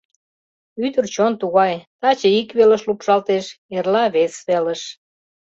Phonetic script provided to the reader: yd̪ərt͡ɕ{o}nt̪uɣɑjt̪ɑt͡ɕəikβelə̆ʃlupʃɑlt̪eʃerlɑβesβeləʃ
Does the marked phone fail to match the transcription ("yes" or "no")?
no